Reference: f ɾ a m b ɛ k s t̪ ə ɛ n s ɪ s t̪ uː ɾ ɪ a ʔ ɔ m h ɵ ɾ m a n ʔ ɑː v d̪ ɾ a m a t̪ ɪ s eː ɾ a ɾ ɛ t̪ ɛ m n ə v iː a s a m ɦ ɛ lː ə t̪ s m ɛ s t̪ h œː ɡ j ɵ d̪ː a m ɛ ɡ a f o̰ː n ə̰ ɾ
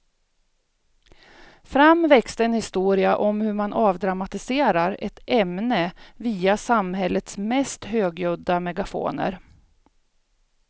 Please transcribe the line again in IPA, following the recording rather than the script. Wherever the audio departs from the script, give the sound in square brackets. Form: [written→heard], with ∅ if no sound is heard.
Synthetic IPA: f ɾ a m [b→v] ɛ k s t̪ ə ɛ n [s→h] ɪ s t̪ uː ɾ ɪ a ʔ ɔ m h ɵ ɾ m a n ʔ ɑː v d̪ ɾ a m a t̪ ɪ s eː ɾ a ɾ ɛ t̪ ɛ m n ə v iː a s a m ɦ ɛ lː ə t̪ s m ɛ s t̪ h [œː→øː] ɡ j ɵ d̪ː a m ɛ ɡ a f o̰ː n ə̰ ɾ